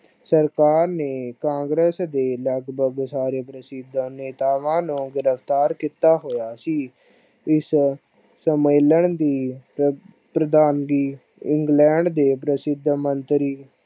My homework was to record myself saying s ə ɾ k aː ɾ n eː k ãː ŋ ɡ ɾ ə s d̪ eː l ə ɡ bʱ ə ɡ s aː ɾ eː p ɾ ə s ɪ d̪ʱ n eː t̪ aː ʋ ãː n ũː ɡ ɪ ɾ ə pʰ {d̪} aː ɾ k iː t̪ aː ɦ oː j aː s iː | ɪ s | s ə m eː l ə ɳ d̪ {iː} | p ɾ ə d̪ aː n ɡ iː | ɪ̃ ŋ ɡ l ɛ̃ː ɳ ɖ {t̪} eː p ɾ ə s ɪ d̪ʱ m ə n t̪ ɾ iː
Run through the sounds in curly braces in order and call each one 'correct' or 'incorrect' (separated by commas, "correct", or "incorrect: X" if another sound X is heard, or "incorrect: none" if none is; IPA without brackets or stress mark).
incorrect: t̪, correct, incorrect: d̪